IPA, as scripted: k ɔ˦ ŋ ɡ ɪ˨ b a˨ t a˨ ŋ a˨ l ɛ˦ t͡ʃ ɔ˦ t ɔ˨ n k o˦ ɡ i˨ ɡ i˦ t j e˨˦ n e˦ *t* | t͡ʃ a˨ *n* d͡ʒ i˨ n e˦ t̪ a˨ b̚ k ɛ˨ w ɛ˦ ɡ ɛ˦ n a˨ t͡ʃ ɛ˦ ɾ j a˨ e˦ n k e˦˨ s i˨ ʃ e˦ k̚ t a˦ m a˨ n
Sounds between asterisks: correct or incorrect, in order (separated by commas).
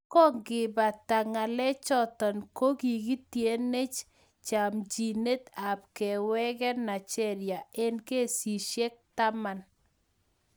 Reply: incorrect, incorrect